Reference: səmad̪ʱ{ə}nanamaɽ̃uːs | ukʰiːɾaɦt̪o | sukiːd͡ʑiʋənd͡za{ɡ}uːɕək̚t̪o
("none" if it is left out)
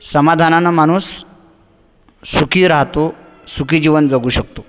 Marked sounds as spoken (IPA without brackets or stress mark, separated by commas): a, ɡ